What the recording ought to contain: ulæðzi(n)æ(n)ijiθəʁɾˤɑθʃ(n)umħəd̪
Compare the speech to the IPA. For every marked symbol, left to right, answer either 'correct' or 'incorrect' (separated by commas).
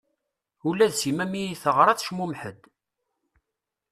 incorrect, incorrect, incorrect